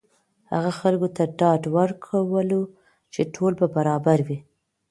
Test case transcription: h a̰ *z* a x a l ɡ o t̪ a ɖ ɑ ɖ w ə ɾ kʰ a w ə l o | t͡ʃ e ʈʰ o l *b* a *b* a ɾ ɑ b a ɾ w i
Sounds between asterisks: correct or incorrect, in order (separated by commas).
incorrect, correct, correct